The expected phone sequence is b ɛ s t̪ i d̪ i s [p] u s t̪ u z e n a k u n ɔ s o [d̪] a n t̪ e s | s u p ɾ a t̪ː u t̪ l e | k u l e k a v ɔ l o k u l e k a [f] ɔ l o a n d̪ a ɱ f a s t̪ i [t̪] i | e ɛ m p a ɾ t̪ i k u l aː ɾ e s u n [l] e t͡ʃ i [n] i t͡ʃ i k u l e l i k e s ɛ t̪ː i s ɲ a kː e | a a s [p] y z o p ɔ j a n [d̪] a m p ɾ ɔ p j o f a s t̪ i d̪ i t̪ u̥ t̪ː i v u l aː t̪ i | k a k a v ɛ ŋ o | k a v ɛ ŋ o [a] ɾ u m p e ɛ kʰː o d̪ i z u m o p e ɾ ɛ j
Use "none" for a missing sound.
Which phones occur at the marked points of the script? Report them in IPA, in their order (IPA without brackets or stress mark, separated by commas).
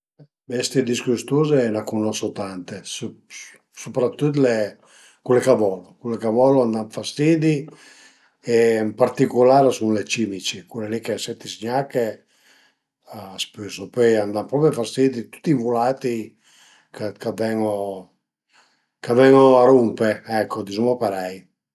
k, t̪, v, d̪, l, m, p, d̪, a